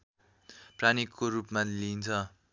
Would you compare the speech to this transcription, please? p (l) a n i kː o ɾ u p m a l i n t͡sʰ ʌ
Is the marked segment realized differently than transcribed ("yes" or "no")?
yes